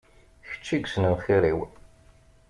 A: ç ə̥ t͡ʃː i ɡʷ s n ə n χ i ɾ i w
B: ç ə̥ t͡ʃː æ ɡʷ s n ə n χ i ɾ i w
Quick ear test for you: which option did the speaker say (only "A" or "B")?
A